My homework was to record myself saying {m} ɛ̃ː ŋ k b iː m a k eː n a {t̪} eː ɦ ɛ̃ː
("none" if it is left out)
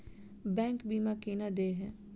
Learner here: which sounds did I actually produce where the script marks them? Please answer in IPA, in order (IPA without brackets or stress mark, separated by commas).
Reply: b, d̪